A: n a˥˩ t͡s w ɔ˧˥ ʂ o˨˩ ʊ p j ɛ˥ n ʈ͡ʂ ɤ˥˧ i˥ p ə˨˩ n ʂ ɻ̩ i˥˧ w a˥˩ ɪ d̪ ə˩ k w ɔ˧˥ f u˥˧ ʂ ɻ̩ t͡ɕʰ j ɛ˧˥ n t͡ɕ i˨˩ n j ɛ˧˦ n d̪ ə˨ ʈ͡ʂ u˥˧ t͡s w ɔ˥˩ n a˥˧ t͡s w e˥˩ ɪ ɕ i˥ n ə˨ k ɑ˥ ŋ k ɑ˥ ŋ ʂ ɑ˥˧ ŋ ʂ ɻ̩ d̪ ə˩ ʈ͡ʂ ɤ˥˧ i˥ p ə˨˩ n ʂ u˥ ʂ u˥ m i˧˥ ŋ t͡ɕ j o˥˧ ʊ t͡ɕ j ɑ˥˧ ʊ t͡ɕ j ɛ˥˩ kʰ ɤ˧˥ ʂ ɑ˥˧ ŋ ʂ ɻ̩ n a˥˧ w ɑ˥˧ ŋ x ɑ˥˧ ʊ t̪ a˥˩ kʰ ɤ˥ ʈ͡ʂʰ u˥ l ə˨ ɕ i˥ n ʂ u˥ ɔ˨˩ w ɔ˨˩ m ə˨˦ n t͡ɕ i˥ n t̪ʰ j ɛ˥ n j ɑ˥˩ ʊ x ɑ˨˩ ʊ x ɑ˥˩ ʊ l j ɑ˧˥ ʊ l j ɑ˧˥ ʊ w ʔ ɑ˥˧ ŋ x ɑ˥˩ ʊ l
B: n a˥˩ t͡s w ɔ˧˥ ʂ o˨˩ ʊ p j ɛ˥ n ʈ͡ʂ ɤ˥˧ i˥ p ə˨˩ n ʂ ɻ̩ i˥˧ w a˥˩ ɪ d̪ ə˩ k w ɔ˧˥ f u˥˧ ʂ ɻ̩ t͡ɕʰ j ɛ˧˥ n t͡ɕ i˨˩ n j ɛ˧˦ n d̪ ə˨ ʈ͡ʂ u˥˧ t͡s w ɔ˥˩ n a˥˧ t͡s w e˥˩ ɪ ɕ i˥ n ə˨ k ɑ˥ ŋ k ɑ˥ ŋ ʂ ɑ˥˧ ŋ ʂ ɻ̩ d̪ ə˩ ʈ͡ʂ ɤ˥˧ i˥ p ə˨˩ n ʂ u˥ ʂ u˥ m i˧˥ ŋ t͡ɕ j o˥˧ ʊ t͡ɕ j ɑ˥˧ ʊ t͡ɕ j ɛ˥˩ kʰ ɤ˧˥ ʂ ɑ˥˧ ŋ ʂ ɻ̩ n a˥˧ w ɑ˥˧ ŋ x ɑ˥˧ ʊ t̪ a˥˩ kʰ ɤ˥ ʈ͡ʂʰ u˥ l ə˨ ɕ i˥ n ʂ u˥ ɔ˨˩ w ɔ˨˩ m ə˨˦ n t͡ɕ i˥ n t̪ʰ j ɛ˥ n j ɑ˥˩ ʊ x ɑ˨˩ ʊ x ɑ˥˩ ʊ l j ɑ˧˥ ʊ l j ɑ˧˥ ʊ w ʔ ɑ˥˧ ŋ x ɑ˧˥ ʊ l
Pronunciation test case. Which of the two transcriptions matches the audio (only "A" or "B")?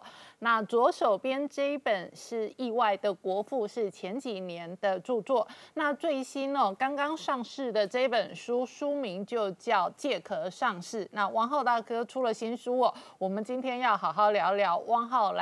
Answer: A